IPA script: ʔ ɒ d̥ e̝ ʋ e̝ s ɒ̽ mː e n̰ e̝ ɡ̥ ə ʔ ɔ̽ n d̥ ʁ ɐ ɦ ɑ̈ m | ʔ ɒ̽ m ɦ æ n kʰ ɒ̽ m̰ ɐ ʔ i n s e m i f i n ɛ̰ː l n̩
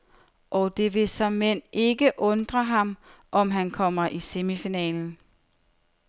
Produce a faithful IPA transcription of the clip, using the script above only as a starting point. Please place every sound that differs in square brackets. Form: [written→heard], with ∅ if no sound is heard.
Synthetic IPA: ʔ ɒ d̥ e̝ ʋ e̝ s ɒ̽ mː e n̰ e̝ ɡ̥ ə ʔ ɔ̽ n d̥ ʁ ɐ ɦ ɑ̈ m | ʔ ɒ̽ m ɦ æ n kʰ ɒ̽ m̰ ɐ ʔ i [n→∅] s e m i f i n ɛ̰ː l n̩